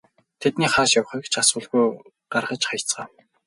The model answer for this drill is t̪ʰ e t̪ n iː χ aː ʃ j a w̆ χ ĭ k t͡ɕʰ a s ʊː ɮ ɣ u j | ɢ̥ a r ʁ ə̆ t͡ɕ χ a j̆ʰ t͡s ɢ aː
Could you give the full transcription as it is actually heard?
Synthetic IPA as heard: t̪ʰ e t̪ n iː χ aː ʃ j a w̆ χ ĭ k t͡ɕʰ a s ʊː ɮ ɣ u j | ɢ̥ a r ʁ ə̆ t͡ɕ χ a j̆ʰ t͡s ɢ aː